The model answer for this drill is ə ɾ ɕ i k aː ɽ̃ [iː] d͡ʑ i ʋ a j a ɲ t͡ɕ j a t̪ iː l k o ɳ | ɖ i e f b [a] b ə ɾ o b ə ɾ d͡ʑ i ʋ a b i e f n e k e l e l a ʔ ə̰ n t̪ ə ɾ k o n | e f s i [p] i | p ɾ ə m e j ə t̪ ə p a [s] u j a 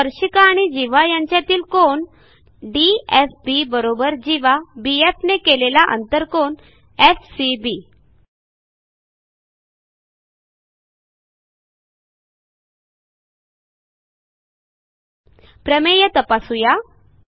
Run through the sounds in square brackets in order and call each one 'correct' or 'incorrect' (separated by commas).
incorrect, incorrect, incorrect, correct